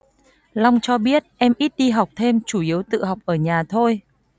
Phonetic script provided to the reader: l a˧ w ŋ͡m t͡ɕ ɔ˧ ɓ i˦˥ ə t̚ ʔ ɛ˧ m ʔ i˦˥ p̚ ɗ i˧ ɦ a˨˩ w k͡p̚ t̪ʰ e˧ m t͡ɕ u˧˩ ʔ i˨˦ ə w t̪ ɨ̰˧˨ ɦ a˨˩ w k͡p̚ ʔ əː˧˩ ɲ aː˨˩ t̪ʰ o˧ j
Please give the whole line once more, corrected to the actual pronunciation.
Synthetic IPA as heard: l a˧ w ŋ͡m t͡ɕ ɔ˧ ɓ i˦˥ ə t̚ ʔ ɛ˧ m ʔ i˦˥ t̚ ɗ i˧ ɦ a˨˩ w k͡p̚ t̪ʰ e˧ m t͡ɕ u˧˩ ʔ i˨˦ ə w t̪ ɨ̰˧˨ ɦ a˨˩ w k͡p̚ ʔ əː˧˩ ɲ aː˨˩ t̪ʰ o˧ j

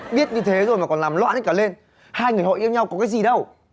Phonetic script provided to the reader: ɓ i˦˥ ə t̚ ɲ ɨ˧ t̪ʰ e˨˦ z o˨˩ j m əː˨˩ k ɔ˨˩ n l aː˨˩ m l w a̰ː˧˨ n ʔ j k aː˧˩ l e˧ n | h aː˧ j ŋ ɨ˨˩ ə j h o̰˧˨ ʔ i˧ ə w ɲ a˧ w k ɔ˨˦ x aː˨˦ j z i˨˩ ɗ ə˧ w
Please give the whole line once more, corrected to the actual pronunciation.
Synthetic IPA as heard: ɓ i˦˥ ə t̚ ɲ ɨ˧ t̪ʰ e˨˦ z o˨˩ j m aː˨˩ k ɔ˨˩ n l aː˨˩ m l w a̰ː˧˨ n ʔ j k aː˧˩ l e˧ n | h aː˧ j ŋ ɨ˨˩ ə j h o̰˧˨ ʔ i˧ ə w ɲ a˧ w k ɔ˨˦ k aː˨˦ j z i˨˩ ɗ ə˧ w

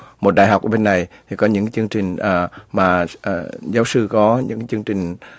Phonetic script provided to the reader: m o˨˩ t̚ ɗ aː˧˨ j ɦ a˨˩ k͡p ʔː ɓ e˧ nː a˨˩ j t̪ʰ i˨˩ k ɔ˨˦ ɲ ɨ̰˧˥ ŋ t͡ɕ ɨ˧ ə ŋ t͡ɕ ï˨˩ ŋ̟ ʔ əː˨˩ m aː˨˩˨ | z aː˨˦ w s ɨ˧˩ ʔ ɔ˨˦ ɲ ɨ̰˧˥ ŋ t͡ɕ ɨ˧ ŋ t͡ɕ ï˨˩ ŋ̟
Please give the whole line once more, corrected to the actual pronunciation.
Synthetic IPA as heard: m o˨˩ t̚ ɗ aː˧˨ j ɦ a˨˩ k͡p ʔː ɓ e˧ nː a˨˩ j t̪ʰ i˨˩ k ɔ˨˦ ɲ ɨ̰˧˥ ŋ t͡ɕ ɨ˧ ə ŋ t͡ɕ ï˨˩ ŋ̟ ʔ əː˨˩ m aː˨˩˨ | z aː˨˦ w s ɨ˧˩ k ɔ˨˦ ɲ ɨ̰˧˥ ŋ t͡ɕ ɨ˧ ŋ t͡ɕ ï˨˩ ŋ̟

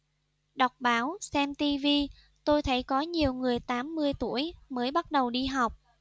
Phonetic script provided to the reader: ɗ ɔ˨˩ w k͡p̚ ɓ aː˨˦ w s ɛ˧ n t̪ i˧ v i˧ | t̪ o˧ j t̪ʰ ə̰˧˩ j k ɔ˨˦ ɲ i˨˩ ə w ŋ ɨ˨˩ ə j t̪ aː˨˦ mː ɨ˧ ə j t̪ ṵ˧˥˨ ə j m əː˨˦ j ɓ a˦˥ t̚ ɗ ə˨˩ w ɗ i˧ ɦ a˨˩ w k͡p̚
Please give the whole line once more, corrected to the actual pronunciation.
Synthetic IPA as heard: ɗ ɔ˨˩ w k͡p̚ ɓ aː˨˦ w s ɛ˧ m t̪ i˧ v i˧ | t̪ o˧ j t̪ʰ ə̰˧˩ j k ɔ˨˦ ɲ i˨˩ ə w ŋ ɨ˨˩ ə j t̪ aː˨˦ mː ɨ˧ ə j t̪ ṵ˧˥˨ ə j m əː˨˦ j ɓ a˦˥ t̚ ɗ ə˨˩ w ɗ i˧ ɦ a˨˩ w k͡p̚

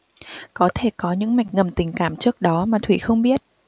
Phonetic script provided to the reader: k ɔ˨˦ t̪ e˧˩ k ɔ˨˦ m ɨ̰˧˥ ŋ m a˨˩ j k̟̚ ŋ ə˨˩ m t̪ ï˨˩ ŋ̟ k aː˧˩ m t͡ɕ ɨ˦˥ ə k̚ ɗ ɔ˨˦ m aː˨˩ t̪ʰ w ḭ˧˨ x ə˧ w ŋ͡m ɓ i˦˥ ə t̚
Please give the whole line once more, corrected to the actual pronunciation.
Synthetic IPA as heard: k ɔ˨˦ t̪ʰ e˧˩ k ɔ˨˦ ɲ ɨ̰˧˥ ŋ m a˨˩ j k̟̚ ŋ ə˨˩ m t̪ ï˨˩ ŋ̟ k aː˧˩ m t͡ɕ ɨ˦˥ ə k̚ ɗ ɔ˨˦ m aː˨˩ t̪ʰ w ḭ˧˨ x ə˧ w ŋ͡m ɓ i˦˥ ə t̚

